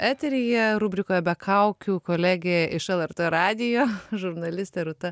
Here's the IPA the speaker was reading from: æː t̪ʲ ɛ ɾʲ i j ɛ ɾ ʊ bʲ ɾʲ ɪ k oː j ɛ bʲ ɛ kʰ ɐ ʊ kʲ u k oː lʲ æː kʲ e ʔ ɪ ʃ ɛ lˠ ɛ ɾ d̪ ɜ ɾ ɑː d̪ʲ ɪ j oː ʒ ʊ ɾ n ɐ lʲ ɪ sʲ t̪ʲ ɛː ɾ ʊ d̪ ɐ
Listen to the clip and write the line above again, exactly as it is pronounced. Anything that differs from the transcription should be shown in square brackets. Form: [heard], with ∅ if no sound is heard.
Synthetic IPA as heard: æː t̪ʲ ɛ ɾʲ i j ɛ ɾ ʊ bʲ ɾʲ ɪ k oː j ɛ bʲ ɛ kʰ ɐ ʊ kʲ u k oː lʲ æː [ɡʲ] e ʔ ɪ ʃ ɛ lˠ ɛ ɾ [t̪] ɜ ɾ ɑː d̪ʲ ɪ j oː ʒ ʊ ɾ n ɐ lʲ ɪ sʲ t̪ʲ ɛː ɾ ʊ [t̪] ɐ